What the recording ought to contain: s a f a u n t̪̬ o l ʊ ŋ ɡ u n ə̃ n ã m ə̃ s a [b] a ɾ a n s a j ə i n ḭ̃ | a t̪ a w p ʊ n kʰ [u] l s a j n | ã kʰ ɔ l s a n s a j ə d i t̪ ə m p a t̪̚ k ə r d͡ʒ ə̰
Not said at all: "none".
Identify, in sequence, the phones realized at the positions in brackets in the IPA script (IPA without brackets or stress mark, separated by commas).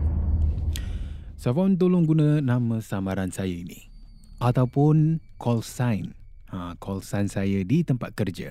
m, ɔ